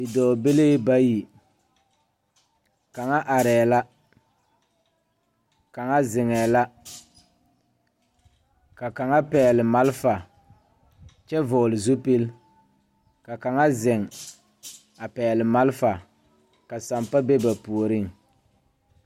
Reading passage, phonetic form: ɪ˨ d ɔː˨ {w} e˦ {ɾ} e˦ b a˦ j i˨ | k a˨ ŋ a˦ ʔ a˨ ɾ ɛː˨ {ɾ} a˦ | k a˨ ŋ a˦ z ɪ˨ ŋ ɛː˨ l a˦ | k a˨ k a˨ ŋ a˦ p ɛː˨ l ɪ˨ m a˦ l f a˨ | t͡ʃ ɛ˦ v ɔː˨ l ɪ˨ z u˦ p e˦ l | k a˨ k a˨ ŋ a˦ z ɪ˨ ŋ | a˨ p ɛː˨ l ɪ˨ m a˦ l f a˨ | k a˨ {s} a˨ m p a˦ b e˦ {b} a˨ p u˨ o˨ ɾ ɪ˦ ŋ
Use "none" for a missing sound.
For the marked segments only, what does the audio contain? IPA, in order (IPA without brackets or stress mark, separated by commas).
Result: b, l, l, s, b